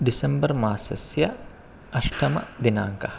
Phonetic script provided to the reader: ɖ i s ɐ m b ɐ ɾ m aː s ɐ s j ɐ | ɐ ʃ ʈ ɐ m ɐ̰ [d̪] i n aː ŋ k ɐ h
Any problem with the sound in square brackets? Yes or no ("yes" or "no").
no